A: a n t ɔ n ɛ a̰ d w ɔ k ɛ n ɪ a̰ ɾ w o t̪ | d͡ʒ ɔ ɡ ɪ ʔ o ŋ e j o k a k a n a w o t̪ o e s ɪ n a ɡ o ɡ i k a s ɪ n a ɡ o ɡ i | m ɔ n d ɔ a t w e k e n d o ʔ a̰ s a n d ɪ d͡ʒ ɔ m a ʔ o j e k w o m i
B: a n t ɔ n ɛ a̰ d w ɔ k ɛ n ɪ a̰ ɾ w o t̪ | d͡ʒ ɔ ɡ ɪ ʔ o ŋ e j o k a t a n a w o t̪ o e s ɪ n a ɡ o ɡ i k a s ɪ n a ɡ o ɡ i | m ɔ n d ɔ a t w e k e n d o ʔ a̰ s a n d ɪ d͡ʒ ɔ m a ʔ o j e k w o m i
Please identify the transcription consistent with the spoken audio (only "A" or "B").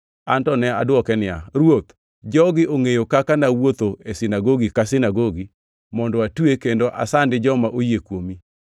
A